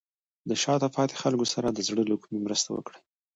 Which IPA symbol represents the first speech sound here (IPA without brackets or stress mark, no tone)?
d̪